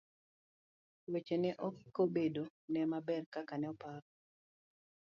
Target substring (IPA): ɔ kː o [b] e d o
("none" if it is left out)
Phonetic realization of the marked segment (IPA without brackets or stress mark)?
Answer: b